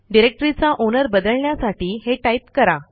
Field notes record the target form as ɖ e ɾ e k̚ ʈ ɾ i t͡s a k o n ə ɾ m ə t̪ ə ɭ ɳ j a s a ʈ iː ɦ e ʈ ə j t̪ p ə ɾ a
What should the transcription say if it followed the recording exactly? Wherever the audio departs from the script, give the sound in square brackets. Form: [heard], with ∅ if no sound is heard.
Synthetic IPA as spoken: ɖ [i] ɾ e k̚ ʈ ɾ i t͡s a [ʔ] o n ə ɾ [b] ə [d̪] ə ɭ ɳ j a s a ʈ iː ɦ e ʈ [a] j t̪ [k] ə ɾ a